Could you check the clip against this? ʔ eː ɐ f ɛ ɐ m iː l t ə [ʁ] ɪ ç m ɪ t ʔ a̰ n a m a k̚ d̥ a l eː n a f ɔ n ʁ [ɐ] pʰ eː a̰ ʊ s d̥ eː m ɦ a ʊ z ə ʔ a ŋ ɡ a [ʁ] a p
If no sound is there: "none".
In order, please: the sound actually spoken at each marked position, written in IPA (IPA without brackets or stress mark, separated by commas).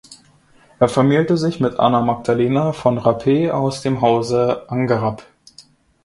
z, a, ʁ